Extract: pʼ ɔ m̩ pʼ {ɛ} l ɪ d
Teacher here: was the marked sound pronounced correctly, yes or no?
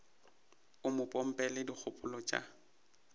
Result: yes